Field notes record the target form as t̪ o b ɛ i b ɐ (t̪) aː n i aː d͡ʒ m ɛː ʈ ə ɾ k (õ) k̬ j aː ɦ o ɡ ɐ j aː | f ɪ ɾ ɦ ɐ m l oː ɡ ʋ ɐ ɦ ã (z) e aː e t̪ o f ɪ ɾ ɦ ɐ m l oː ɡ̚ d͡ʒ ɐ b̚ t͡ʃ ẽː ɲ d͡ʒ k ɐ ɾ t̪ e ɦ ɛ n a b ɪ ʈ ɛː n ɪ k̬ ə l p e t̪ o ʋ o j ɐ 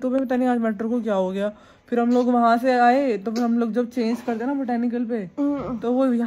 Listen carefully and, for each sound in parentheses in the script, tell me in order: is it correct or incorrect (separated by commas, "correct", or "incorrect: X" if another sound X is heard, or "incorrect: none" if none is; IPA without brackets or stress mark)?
correct, incorrect: o, incorrect: s